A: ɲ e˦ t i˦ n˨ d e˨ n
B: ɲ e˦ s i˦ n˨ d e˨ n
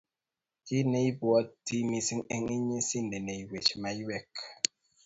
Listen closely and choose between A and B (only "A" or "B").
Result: B